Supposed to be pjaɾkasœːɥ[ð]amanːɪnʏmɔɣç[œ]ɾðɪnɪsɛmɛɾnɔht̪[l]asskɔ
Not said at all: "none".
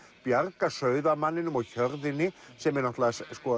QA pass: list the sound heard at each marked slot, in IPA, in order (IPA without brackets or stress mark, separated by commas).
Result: ð, œ, l